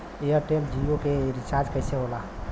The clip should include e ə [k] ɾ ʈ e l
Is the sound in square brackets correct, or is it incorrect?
incorrect